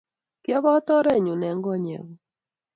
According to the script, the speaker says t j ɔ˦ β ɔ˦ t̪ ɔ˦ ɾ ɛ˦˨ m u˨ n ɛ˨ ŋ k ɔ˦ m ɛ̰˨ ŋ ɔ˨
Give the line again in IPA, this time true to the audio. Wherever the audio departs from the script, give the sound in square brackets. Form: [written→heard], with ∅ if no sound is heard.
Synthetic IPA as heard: [t→k] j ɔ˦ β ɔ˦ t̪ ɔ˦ ɾ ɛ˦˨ [m→ɲ] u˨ n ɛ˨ ŋ [k→ɡ] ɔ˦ [m→ɲ] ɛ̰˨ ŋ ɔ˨